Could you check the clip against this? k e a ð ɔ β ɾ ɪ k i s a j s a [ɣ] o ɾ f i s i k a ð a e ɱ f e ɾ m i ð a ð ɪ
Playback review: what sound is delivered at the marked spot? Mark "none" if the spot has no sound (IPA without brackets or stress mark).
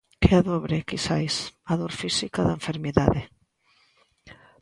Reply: ð